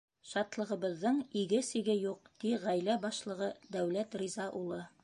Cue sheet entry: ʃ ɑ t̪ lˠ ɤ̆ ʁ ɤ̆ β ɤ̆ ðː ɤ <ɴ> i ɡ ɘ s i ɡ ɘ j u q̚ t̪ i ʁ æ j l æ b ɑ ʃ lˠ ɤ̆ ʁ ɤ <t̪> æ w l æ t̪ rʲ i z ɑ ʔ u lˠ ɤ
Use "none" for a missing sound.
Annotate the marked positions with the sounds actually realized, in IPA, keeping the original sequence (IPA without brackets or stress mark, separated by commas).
ɴ, d̪